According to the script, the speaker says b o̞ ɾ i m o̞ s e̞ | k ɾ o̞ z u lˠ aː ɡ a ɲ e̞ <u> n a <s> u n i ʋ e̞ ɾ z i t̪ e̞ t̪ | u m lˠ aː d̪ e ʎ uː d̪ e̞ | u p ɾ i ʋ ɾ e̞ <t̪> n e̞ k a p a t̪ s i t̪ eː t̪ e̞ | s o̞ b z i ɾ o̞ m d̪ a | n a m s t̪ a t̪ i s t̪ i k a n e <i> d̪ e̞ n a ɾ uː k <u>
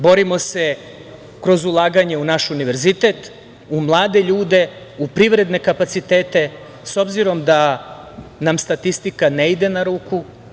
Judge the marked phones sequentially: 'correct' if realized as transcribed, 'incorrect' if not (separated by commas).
correct, incorrect, incorrect, correct, correct